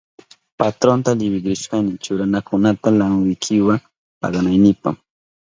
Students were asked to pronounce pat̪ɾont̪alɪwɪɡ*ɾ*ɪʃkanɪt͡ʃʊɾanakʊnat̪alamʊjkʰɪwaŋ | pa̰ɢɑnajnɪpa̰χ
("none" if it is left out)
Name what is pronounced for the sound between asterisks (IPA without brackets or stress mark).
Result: ɾ